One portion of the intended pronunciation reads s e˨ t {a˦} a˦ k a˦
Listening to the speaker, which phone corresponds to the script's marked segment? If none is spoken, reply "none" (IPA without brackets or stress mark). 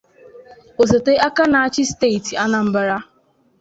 e˦